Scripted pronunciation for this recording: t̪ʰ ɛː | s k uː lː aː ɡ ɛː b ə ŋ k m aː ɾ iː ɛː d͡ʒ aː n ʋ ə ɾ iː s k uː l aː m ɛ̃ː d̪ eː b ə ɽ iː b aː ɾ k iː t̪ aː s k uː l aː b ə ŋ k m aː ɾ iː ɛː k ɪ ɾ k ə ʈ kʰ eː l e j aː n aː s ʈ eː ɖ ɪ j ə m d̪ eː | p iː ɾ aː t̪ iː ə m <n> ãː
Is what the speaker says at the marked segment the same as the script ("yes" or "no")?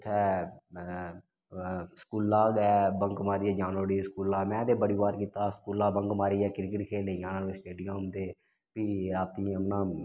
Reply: yes